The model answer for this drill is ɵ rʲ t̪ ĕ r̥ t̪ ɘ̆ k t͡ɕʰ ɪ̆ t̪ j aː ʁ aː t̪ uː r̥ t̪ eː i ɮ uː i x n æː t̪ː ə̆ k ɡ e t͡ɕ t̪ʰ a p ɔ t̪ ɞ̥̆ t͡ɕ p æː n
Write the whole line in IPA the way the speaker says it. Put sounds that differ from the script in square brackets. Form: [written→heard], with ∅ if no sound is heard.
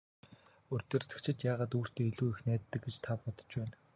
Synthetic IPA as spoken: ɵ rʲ t̪ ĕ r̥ t̪ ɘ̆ k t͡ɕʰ ɪ̆ t̪ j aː ʁ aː t̪ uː r̥ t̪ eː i ɮ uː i x n æː t̪ː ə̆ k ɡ e t͡ɕ t̪ʰ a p ɔ t̪ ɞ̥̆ t͡ɕ p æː n